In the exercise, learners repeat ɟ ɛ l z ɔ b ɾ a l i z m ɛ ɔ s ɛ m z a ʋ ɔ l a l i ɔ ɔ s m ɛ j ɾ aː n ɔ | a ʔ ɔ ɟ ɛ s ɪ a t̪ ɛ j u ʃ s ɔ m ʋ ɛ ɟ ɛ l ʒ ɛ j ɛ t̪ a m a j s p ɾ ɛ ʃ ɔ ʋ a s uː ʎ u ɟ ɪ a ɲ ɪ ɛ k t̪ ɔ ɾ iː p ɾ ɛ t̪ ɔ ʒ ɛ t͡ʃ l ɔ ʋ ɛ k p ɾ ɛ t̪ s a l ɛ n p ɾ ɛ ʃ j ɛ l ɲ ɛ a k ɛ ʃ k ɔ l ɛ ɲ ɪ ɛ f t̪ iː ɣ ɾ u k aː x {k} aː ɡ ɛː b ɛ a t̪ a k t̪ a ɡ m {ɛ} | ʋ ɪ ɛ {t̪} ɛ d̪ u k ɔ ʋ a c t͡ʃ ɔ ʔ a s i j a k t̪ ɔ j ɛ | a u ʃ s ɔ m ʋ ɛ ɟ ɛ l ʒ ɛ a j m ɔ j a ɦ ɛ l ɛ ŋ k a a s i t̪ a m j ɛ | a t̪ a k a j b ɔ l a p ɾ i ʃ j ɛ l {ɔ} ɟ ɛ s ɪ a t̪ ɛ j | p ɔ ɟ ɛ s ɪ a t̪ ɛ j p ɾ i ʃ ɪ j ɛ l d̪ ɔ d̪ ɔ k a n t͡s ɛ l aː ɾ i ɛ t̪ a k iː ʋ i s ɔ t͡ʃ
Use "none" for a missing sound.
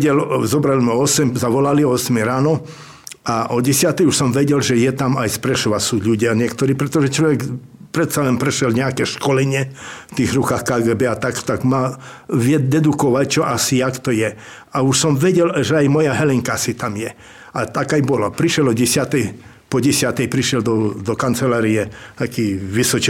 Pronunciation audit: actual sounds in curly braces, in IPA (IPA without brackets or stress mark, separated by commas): k, a, d̪, ɔ